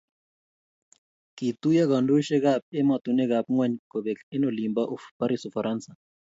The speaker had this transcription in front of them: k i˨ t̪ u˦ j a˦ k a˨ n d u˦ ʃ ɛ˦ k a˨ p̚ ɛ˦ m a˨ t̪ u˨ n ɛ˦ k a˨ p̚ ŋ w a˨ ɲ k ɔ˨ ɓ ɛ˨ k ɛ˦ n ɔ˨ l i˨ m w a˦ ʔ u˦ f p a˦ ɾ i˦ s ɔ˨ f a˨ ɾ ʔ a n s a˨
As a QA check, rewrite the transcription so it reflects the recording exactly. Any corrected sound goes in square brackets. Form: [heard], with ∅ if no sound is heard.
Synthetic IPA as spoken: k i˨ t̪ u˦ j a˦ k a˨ n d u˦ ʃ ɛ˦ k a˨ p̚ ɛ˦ m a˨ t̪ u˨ n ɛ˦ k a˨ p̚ ŋ w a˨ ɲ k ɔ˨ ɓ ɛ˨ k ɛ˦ n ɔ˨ l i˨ m [b] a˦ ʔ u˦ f p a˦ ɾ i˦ s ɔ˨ f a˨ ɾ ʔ a n s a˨